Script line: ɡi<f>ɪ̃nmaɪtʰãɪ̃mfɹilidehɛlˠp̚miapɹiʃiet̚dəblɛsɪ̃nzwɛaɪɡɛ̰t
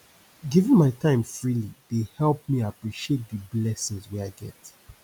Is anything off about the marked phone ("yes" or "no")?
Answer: yes